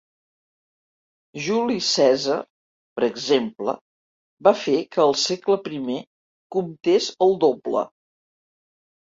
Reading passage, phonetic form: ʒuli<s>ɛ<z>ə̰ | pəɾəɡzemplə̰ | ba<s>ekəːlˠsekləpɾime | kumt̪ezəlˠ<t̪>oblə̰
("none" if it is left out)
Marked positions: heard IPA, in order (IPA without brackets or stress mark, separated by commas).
s, z, f, d̪